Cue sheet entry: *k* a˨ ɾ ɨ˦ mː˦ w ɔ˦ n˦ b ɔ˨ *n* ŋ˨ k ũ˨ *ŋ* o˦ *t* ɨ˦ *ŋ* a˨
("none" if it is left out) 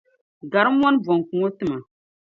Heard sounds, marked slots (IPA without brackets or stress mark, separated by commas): ɡ, none, ŋ, t, m